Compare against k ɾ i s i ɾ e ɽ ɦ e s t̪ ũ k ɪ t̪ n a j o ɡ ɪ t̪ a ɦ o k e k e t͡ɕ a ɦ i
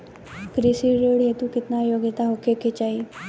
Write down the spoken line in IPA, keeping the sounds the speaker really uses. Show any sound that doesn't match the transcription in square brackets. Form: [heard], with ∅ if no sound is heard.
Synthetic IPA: k ɾ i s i ɾ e ɽ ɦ e [∅] t̪ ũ k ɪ t̪ n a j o ɡ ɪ t̪ a ɦ o k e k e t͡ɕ a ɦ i